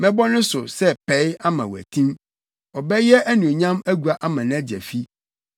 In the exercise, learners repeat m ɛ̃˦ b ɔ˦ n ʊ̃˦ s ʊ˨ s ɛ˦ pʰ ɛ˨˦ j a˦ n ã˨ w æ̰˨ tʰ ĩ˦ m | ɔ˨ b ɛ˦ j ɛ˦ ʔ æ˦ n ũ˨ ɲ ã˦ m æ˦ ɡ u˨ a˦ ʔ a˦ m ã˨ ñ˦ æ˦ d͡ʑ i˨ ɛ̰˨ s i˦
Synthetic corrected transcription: m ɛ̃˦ b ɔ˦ n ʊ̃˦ s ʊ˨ s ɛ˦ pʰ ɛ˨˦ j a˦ m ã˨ w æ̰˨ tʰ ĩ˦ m | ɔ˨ b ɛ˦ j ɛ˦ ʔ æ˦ n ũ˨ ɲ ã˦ m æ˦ ɡ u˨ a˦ ʔ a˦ m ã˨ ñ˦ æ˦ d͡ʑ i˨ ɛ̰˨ f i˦